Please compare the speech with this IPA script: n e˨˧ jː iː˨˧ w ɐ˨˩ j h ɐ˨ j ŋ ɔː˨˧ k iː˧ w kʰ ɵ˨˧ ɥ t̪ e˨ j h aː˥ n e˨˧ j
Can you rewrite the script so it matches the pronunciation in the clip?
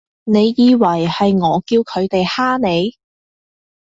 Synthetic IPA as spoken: n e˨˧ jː iː˨˧ w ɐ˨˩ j h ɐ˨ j ŋ ɔː˨˧ k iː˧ w kʰ ɵ˨˧ ɥ t̪ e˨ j h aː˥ n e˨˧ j